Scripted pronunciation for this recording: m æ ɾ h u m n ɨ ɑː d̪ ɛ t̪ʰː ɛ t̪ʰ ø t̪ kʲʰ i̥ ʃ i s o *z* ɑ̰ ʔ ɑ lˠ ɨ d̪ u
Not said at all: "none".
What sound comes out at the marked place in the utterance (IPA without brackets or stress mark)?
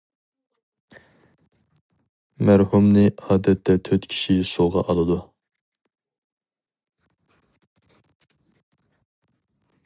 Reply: ʁ